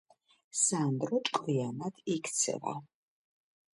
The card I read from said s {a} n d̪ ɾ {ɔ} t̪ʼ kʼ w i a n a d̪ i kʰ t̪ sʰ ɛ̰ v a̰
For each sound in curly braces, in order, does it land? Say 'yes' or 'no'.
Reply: yes, yes

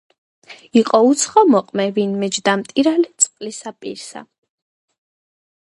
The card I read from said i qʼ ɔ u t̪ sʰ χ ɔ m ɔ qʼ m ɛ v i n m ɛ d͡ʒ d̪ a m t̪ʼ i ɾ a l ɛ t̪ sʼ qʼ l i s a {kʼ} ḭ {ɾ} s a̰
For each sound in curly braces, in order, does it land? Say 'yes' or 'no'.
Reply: no, yes

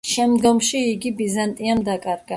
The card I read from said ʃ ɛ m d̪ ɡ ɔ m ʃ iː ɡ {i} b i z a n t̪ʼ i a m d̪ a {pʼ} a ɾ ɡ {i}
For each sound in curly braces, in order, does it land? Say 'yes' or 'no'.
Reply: yes, no, no

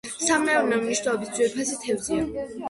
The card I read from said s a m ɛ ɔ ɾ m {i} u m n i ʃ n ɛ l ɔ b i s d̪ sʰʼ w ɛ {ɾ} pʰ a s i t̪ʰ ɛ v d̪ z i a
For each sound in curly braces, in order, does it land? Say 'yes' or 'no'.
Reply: no, yes

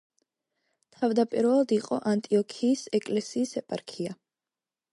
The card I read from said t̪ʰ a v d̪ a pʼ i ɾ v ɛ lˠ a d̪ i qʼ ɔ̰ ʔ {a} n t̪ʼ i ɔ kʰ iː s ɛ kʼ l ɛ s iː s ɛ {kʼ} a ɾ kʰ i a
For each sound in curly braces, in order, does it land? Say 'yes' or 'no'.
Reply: yes, no

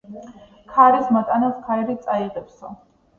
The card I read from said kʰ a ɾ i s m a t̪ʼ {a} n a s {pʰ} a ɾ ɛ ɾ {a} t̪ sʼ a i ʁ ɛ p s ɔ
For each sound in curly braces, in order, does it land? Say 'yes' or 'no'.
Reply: yes, no, no

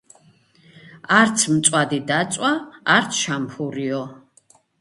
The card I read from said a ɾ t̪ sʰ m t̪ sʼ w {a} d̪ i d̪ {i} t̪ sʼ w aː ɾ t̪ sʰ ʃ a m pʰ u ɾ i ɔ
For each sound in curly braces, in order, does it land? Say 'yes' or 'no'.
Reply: yes, no

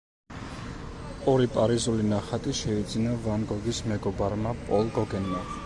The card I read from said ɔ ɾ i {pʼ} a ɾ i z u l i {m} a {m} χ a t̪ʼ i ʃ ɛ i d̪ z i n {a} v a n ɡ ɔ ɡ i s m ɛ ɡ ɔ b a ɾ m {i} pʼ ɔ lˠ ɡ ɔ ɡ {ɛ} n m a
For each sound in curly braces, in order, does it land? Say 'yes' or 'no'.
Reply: yes, no, no, yes, no, yes

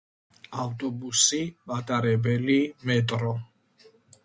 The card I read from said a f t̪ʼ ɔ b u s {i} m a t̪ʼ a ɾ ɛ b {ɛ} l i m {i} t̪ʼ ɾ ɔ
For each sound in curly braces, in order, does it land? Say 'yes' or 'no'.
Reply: yes, yes, no

